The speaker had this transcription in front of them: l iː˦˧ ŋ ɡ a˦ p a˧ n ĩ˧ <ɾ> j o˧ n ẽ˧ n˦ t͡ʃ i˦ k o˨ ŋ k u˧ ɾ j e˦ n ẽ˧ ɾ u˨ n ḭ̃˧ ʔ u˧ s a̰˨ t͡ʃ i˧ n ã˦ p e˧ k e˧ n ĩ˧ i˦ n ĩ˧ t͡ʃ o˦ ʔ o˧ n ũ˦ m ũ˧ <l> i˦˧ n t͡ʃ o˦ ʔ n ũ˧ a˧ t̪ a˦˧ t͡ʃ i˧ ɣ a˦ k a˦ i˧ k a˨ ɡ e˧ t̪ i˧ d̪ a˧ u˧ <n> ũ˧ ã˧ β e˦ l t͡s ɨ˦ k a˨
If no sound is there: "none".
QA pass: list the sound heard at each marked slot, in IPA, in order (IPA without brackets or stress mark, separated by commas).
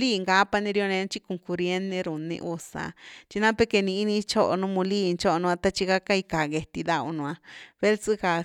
ɾ, l, n